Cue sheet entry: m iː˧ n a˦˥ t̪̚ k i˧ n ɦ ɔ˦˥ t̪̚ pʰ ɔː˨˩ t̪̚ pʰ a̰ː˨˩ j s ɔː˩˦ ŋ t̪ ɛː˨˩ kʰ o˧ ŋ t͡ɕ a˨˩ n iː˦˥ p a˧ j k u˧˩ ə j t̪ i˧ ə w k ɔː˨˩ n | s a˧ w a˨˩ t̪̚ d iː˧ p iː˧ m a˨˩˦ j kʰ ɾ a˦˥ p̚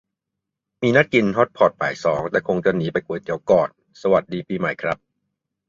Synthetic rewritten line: m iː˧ n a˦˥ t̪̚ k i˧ n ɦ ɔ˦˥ t̪̚ pʰ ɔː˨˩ t̪̚ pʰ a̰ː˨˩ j s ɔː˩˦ ŋ t̪ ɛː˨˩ kʰ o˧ ŋ t͡ɕ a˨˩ n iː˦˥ p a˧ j k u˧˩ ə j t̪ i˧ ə w k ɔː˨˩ n | s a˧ w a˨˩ t̪̚ d iː˧ p iː˧ m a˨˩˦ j kʰ ɾ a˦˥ p̚